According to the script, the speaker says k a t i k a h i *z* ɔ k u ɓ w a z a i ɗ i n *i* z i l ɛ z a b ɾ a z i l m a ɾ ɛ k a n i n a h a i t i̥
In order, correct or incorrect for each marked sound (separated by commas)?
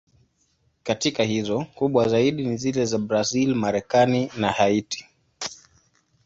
correct, correct